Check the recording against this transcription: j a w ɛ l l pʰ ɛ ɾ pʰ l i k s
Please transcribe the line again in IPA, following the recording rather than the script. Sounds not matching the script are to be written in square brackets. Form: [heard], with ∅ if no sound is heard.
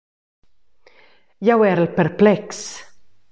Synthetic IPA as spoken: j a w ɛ [ɾ] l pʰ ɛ ɾ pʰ l [ɛ] k s